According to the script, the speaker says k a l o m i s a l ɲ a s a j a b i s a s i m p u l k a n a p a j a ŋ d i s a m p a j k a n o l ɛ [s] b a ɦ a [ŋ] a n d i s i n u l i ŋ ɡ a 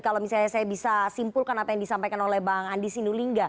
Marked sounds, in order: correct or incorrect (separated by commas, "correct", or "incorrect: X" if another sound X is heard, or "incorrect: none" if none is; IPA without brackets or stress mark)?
incorrect: h, correct